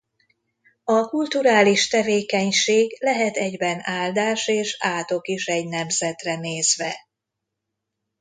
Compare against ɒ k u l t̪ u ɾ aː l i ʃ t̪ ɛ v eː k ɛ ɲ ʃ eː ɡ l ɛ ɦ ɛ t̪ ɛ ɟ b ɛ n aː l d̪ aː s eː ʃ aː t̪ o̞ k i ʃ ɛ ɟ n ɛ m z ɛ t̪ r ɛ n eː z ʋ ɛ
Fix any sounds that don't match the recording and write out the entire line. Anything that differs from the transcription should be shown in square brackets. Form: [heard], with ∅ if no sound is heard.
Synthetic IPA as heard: ɒ k u l t̪ u ɾ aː l i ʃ t̪ ɛ v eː k ɛ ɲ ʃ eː ɡ l ɛ ɦ ɛ t̪ ɛ ɟ b ɛ n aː l d̪ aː [ʃ] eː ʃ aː t̪ o̞ k i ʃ ɛ ɟ n ɛ m z ɛ t̪ r ɛ n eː z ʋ ɛ